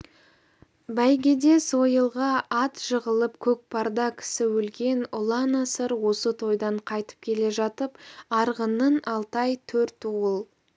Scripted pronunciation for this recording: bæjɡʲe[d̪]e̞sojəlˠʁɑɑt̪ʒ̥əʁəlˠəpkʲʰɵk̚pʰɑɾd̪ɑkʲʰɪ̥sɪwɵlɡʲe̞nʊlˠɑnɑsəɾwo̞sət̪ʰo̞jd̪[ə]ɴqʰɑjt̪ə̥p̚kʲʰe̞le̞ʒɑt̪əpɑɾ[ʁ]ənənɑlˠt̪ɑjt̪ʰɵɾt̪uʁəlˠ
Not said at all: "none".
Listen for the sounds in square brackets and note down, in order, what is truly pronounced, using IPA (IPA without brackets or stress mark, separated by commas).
d̪, ɑ, ʁ